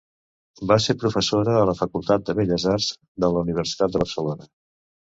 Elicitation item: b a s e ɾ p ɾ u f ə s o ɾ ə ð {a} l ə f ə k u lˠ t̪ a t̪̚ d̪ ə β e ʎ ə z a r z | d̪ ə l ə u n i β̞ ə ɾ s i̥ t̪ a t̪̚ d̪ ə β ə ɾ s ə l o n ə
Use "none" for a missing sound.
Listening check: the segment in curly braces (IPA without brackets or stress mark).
ə